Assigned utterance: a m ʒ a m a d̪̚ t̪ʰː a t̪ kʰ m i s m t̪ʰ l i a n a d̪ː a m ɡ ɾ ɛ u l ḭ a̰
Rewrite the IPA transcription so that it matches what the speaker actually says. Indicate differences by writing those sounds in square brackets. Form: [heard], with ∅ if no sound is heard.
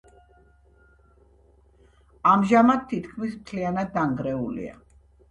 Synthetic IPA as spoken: a m ʒ a m a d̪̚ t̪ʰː [i] t̪ kʰ m i s m t̪ʰ l i a n a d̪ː a [ŋ] ɡ ɾ ɛ u l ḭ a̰